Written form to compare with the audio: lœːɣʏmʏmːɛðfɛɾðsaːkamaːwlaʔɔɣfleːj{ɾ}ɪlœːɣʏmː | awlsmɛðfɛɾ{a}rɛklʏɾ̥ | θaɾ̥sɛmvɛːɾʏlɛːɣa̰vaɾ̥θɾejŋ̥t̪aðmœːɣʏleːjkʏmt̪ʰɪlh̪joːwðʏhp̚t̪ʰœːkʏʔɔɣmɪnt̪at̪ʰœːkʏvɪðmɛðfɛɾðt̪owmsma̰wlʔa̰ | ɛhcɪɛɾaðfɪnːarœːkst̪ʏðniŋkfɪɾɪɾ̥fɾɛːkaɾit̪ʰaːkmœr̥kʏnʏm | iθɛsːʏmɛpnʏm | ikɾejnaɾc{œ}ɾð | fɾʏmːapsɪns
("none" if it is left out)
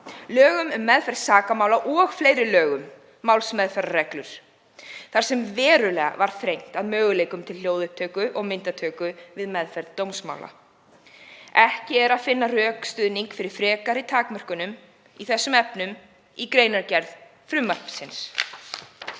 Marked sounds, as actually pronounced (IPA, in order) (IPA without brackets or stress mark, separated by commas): ɾ, a, ɛ